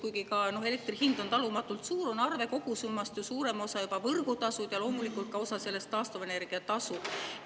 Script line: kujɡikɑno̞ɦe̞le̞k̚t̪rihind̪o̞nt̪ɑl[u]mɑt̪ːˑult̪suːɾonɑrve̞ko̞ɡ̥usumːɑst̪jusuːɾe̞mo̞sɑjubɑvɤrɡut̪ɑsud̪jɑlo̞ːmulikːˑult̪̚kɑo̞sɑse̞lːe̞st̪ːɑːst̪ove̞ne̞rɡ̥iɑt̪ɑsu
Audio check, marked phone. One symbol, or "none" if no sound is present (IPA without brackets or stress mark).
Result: u